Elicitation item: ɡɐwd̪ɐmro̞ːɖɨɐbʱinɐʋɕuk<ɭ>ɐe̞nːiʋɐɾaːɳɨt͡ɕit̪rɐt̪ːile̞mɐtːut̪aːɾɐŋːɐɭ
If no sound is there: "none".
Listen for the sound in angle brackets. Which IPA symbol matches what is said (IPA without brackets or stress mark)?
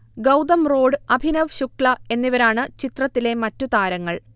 ɭ